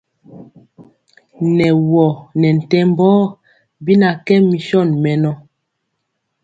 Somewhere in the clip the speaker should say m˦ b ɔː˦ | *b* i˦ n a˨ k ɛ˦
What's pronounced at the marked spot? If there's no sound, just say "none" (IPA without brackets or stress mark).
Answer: b